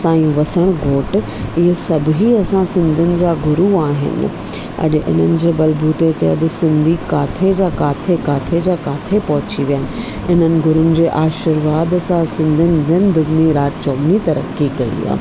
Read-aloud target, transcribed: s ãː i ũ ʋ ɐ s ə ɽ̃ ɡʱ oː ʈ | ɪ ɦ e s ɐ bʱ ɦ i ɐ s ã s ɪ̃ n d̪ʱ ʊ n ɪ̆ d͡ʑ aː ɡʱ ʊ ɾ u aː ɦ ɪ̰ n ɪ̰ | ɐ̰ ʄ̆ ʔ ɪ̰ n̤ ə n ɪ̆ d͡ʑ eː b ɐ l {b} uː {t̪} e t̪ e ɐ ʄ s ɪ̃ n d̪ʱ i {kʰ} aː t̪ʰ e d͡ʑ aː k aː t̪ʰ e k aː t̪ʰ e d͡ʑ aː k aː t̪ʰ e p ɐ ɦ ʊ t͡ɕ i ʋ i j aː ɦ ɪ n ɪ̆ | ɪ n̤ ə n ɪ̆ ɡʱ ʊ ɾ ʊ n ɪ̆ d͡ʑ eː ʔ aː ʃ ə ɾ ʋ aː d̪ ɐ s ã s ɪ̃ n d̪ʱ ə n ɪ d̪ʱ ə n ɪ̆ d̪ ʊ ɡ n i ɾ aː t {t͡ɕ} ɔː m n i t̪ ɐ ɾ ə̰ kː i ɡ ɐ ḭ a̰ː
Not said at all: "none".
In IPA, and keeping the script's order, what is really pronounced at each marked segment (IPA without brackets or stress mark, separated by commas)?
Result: b, t̪, k, t͡ɕ